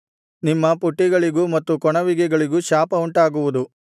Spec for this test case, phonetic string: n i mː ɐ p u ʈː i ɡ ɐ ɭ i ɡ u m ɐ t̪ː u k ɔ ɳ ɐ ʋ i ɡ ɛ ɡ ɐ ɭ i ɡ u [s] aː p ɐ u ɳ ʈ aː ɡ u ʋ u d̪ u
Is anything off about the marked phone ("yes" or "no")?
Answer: yes